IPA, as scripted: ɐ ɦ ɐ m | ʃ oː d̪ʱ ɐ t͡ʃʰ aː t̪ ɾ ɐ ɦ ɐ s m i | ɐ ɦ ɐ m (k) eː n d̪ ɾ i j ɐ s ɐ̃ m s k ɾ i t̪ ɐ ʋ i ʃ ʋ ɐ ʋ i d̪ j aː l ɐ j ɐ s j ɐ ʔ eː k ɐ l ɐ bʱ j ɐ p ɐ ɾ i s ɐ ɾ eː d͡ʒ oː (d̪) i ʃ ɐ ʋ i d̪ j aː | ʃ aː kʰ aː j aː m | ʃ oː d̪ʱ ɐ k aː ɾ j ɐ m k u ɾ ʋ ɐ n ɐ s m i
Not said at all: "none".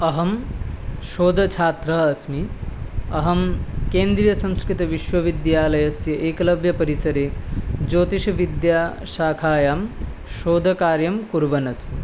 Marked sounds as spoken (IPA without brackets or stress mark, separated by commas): k, t̪